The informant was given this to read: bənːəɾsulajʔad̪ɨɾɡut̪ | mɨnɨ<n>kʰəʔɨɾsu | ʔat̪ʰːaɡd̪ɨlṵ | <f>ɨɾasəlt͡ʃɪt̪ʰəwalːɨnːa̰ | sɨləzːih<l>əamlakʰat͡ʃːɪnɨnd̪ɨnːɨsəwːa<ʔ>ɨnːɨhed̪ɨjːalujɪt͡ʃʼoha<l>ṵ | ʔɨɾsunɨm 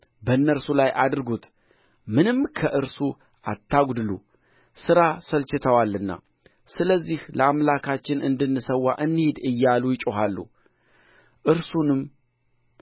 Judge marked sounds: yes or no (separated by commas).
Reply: no, no, yes, yes, no